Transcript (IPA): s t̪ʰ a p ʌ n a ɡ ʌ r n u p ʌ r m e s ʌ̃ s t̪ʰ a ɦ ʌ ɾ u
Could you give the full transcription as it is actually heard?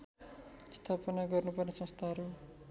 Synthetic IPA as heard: s t̪ʰ a p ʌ n a ɡ ʌ r n u p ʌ r n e s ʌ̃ s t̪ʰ a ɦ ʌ ɾ u